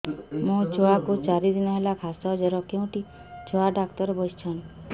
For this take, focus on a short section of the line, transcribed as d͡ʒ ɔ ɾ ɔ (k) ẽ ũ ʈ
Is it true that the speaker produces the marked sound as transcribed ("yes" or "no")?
yes